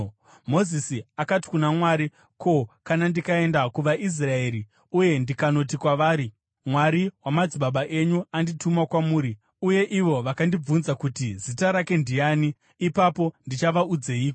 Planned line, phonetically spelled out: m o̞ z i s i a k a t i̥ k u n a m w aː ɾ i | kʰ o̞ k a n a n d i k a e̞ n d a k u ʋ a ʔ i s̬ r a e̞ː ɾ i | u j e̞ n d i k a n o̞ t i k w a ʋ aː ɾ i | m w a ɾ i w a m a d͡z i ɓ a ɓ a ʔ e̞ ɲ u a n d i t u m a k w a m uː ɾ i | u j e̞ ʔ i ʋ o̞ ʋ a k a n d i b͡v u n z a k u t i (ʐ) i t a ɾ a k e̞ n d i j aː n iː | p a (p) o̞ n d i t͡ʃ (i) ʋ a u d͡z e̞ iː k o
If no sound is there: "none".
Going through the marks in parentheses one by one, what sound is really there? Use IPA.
z, p, a

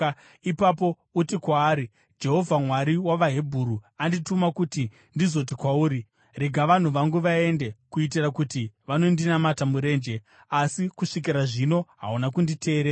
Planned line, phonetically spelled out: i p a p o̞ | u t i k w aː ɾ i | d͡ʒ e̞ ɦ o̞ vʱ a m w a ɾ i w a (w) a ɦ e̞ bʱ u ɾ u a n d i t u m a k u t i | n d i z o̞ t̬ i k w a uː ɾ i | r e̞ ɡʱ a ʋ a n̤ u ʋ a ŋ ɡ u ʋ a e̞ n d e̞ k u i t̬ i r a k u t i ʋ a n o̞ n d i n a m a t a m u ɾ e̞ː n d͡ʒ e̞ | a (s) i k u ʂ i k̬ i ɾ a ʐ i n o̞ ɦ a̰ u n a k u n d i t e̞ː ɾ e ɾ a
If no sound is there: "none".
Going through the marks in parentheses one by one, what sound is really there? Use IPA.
ʋ, s

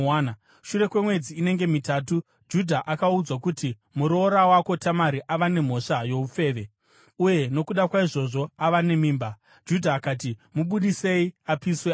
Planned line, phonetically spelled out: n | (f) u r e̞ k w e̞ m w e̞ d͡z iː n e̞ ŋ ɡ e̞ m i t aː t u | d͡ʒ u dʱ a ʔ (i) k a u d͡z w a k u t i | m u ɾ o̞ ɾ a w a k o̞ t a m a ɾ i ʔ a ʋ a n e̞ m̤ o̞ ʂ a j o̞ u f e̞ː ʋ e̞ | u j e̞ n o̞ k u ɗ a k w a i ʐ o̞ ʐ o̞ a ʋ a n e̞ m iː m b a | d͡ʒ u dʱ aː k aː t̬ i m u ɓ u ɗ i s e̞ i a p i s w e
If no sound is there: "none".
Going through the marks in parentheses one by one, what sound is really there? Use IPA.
ʃ, a

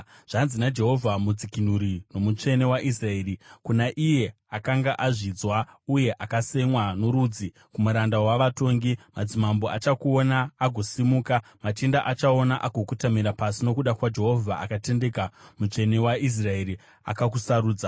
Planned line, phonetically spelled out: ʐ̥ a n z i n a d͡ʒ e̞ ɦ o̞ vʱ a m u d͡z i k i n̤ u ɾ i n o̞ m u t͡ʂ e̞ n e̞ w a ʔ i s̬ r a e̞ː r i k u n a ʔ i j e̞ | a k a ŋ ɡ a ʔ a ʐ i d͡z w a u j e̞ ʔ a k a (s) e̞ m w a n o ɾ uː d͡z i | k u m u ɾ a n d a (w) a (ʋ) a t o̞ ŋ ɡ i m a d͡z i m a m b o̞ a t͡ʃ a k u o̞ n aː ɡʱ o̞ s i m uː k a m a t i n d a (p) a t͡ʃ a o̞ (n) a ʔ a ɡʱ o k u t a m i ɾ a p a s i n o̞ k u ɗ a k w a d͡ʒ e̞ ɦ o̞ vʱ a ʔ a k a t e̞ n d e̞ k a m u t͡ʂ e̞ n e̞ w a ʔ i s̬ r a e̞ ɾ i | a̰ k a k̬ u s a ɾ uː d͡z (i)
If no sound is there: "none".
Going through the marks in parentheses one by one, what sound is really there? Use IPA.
s, w, ʋ, ʔ, n, a

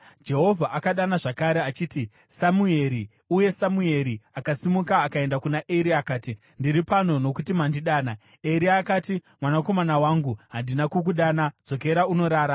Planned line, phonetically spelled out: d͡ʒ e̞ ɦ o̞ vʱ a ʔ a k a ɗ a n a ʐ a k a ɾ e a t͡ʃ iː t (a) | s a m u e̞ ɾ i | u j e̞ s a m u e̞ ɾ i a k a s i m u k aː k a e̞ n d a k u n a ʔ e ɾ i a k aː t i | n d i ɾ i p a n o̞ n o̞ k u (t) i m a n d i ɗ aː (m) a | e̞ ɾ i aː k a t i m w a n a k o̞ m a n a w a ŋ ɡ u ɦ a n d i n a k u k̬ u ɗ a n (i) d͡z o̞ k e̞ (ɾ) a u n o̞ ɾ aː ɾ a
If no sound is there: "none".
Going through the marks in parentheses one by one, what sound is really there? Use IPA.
i, t, n, a, ɾ

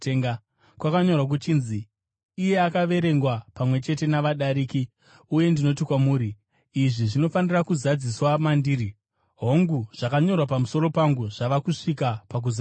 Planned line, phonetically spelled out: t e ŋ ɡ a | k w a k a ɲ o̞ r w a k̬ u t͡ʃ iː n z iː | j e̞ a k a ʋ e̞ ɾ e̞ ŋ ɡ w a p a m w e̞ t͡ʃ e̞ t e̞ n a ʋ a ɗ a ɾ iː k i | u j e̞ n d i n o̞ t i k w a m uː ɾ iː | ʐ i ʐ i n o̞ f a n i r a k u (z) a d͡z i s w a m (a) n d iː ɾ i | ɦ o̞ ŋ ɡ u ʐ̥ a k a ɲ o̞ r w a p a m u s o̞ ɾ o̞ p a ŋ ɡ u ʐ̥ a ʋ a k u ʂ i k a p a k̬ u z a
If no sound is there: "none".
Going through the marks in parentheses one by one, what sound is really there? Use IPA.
z, a

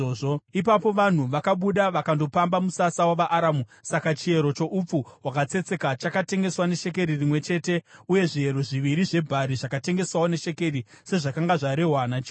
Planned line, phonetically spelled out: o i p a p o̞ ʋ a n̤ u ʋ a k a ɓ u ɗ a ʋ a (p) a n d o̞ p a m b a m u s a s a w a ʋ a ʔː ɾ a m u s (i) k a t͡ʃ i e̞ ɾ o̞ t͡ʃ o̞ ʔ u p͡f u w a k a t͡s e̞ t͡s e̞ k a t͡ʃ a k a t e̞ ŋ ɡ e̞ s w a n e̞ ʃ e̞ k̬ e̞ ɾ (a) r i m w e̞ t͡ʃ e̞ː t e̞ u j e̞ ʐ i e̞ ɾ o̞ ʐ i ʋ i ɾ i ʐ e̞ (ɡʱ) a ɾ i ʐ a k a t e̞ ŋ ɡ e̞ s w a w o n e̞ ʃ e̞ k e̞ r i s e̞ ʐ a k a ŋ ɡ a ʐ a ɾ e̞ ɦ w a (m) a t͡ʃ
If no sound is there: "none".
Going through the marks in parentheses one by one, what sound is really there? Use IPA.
k, a, i, bʱ, n

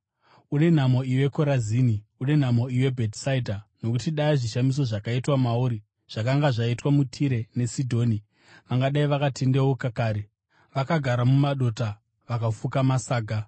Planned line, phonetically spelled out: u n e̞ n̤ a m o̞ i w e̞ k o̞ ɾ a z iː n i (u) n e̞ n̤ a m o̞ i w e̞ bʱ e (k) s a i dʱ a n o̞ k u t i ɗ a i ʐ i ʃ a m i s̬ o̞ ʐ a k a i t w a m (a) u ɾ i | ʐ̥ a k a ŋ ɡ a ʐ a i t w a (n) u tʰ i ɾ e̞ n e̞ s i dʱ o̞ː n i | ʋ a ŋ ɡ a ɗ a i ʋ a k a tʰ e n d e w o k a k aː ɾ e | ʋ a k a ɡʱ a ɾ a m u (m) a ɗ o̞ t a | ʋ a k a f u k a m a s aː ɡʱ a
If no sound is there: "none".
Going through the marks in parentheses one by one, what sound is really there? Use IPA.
u, t, a, m, m

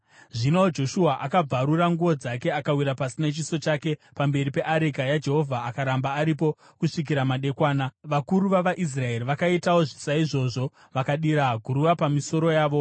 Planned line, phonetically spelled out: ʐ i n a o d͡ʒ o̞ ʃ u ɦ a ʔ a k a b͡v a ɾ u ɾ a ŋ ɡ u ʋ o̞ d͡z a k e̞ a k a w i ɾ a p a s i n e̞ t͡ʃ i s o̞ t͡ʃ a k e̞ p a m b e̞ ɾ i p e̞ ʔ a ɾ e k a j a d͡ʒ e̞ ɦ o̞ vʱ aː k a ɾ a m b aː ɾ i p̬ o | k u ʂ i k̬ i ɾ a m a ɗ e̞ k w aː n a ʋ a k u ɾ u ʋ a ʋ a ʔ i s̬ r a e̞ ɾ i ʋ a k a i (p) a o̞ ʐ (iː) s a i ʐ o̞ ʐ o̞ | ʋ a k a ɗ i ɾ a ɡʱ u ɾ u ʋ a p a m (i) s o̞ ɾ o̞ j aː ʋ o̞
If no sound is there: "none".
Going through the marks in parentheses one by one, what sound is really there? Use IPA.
t, i, i

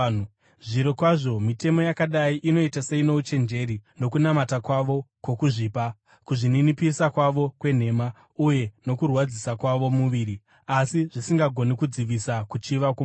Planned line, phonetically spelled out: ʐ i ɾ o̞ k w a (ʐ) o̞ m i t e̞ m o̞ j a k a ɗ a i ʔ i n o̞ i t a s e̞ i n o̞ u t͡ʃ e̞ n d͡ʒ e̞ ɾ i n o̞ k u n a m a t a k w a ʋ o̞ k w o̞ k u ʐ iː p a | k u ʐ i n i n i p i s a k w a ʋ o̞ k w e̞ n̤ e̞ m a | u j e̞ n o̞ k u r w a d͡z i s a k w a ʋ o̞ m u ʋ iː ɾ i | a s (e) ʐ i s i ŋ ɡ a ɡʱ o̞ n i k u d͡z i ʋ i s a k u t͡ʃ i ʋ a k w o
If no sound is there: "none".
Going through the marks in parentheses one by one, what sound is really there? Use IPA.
ʐ, i

